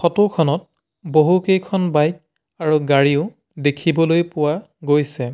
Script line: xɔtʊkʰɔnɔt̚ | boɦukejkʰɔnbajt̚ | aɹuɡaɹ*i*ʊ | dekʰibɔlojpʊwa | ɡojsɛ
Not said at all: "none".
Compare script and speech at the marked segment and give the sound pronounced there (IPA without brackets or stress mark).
i